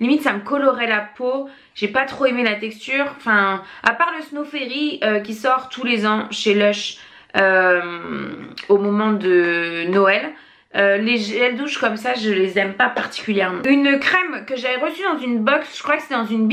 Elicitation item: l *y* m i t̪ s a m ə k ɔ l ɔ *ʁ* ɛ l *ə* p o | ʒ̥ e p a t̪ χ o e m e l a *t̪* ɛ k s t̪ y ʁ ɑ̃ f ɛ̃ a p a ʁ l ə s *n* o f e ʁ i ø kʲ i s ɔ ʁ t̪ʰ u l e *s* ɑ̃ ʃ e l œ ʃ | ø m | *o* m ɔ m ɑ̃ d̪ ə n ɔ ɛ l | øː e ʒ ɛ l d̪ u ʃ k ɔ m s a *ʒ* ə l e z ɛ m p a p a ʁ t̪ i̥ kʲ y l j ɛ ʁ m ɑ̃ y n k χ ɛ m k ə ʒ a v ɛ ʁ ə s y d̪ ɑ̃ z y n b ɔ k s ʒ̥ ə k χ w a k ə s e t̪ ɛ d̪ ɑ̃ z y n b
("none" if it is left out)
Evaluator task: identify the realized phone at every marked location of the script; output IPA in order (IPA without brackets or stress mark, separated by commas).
i, ʁ, a, t̪, n, z, o, ʒ